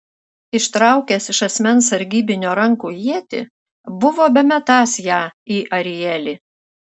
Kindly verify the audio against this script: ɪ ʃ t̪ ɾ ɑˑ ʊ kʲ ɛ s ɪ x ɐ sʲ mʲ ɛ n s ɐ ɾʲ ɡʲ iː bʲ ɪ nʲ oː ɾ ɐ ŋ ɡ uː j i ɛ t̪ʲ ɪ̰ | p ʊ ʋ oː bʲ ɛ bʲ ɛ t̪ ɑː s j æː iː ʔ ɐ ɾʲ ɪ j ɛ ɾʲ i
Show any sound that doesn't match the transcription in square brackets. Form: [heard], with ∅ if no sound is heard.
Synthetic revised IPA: ɪ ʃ t̪ ɾ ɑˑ ʊ kʲ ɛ s ɪ [ʃ] ɐ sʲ mʲ ɛ n s ɐ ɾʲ ɡʲ iː bʲ ɪ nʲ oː ɾ ɐ ŋ [k] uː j i ɛ t̪ʲ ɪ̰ | [b] ʊ ʋ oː bʲ ɛ [mʲ] ɛ t̪ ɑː s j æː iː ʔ ɐ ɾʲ ɪ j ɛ [lʲ] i